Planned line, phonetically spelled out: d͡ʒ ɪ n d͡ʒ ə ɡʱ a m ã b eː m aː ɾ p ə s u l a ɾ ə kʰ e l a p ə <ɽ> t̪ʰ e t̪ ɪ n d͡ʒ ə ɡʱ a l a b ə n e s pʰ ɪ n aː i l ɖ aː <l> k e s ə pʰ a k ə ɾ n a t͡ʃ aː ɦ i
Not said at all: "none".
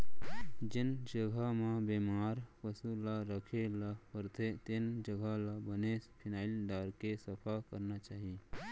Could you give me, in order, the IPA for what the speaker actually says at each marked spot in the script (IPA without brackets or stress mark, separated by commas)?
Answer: ɾ, ɾ